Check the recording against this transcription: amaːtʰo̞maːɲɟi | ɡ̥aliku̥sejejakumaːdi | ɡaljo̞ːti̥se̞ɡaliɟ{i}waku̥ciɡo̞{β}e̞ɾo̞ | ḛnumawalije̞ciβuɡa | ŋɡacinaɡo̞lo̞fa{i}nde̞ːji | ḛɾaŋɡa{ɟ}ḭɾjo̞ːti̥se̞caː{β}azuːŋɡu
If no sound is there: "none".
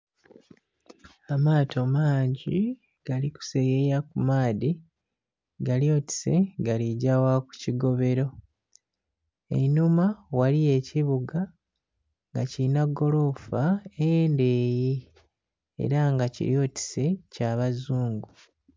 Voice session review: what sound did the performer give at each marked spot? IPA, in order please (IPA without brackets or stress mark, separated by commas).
a, β, e, c, β